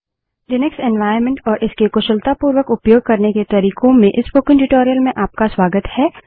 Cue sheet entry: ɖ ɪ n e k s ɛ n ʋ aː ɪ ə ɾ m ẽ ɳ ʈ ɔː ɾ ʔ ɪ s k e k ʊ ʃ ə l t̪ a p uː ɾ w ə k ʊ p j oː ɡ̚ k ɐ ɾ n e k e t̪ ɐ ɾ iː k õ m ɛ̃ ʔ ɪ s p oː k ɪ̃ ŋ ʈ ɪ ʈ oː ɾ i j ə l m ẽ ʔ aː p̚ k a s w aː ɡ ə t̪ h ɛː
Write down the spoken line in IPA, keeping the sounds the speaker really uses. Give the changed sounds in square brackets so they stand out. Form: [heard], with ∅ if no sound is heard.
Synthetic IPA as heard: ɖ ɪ n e k s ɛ n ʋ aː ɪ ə ɾ m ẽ ɳ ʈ ɔː ɾ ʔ ɪ s k e k ʊ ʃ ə l t̪ a p uː ɾ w ə k ʊ p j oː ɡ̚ k ɐ ɾ n e k e t̪ ɐ ɾ iː k õ m [ẽ] ʔ ɪ s p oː k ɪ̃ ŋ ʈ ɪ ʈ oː ɾ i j ə l m ẽ ʔ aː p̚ k a s w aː ɡ ə t̪ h ɛː